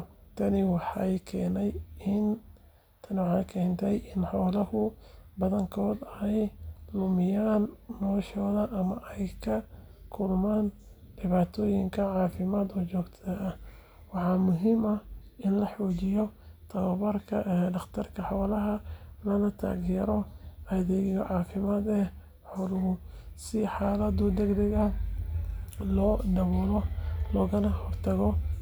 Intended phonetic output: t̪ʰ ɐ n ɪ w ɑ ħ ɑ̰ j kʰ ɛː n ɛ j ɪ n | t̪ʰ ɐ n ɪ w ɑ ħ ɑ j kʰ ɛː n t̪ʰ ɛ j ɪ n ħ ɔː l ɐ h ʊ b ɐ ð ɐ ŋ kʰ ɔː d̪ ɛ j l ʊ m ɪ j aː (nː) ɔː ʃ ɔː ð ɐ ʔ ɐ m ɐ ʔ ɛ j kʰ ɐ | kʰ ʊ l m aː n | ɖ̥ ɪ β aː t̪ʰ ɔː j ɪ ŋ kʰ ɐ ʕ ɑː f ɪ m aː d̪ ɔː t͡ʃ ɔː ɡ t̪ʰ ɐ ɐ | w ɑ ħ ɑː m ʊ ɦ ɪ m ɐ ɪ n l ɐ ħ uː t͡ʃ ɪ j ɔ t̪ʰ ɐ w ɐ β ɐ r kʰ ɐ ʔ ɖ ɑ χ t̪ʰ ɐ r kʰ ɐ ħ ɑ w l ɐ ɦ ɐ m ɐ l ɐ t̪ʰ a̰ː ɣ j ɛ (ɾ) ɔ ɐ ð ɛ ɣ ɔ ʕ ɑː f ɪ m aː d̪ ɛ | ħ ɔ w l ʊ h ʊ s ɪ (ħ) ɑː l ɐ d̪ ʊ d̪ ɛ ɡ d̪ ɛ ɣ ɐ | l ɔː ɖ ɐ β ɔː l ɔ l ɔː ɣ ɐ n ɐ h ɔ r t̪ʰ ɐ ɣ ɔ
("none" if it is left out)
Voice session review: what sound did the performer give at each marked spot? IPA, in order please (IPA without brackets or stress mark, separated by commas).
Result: nː, ɾ, ħ